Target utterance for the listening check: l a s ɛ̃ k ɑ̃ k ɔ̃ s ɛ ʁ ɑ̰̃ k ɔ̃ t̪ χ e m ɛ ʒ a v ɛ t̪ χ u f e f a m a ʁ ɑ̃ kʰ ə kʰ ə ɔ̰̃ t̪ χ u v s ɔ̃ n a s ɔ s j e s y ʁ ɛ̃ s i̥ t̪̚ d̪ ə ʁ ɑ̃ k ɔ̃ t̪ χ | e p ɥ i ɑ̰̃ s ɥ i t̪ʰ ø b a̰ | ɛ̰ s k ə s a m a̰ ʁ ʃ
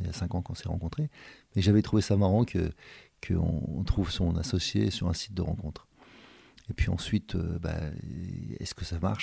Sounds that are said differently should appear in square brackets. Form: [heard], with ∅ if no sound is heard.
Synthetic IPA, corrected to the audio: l a s ɛ̃ k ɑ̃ k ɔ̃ s ɛ ʁ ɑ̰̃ k ɔ̃ t̪ χ e m ɛ ʒ a v ɛ t̪ χ u [v] e [s] a m a ʁ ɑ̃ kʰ ə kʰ ə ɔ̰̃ t̪ χ u v s ɔ̃ n a s ɔ s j e s y ʁ ɛ̃ s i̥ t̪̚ d̪ ə ʁ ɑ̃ k ɔ̃ t̪ χ | e p ɥ i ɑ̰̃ s ɥ i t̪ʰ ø b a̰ | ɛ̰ s k ə s a m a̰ ʁ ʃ